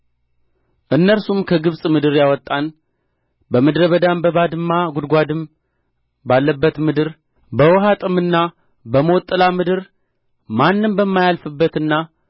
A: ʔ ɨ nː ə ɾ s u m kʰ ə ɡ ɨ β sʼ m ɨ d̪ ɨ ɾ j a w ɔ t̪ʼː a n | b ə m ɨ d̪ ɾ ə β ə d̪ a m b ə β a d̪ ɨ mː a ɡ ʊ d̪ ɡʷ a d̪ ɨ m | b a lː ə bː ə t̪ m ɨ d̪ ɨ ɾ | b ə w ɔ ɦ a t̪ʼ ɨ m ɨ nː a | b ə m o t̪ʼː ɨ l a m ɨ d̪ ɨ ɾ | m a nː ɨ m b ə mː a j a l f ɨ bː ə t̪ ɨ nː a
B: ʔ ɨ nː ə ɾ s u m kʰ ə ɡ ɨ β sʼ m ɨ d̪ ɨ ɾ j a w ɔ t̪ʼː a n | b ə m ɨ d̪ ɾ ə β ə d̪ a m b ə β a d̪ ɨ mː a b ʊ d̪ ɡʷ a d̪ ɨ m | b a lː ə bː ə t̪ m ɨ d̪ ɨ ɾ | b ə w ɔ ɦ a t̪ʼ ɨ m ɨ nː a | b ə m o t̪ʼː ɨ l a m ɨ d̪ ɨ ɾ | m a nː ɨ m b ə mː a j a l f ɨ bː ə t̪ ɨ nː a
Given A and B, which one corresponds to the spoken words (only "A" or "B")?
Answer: A